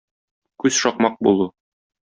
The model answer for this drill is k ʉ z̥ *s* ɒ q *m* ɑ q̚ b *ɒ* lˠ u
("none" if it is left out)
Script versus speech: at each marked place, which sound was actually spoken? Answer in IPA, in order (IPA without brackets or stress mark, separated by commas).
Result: ʃ, m, u